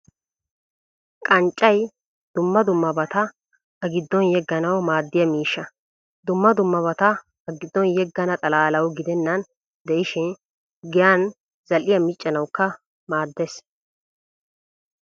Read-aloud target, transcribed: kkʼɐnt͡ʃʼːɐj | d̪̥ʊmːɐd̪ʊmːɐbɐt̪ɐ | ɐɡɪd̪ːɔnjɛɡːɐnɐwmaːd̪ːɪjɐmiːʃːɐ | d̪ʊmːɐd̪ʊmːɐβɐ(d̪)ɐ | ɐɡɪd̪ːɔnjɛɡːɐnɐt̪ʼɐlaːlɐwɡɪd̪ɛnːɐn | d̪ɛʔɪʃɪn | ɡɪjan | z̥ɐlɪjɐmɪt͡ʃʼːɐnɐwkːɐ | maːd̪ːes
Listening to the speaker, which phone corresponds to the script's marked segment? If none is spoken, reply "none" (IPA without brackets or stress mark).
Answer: t̪